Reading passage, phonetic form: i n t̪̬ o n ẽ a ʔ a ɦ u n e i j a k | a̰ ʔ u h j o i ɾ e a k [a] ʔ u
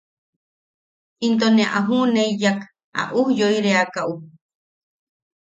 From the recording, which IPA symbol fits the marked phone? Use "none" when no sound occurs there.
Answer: a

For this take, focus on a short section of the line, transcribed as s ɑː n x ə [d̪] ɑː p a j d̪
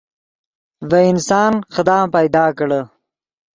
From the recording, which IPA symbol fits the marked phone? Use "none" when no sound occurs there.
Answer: d̪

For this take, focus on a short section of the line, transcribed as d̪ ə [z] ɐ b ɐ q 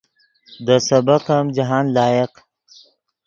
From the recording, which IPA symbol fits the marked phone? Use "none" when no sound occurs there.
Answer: s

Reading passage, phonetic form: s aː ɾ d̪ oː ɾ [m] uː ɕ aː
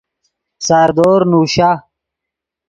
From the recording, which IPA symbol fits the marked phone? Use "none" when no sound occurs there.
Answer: n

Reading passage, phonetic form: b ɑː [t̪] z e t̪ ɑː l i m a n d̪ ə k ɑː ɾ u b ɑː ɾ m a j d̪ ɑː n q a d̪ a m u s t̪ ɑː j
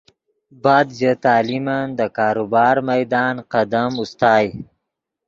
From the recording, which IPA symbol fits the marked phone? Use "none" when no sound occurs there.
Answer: d̪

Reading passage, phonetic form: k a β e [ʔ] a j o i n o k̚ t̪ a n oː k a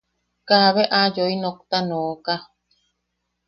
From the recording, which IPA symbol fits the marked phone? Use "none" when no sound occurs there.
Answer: ʔ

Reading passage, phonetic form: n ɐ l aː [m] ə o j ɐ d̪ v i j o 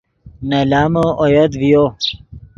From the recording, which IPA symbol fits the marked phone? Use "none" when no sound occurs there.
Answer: m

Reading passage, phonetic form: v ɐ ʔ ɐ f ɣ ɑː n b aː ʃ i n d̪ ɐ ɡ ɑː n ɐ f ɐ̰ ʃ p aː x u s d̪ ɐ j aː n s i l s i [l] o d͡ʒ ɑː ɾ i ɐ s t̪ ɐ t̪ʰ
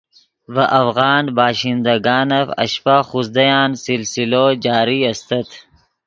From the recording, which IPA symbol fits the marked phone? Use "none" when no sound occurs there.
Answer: l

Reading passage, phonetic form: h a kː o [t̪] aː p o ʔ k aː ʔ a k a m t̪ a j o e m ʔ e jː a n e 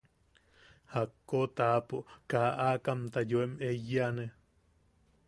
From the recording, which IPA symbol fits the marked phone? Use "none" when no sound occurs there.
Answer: t̪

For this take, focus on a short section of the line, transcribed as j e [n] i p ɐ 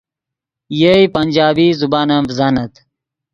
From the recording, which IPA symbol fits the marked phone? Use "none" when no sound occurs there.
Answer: none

